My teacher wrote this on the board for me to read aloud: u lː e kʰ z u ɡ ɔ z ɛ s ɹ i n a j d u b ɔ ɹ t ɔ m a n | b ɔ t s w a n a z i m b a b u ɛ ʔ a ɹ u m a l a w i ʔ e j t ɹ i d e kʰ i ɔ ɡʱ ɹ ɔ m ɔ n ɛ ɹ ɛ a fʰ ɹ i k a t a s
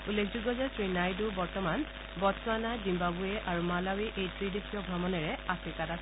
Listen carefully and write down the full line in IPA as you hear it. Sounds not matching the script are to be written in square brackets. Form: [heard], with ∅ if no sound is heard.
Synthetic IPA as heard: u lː e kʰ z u ɡ ɔ z ɛ s ɹ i n a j d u b ɔ ɹ t ɔ m a n | b ɔ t s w a n a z i m b a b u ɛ ʔ a ɹ u m a l a w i ʔ e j t ɹ i d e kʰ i ɔ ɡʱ ɹ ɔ m ɔ n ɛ ɹ ɛ a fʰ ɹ i k a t a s